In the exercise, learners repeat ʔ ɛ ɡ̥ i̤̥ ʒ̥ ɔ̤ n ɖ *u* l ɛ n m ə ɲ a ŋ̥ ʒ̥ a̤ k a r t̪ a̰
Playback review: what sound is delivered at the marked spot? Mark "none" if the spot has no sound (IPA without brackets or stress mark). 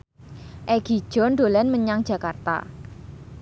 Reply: o